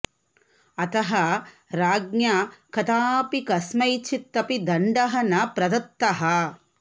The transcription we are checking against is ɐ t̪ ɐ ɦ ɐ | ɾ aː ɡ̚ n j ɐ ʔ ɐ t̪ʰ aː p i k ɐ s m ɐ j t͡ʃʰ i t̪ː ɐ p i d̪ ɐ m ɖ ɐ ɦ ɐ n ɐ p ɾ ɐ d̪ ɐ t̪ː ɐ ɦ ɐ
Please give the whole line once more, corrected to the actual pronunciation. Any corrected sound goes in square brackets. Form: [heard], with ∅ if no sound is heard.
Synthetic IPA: ɐ t̪ ɐ ɦ ɐ | ɾ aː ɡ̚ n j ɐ [k] ɐ [t̪] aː p i k ɐ s m ɐ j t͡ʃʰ i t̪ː ɐ p i d̪ ɐ [ɳ] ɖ ɐ ɦ ɐ n ɐ p ɾ ɐ d̪ ɐ t̪ː ɐ ɦ ɐ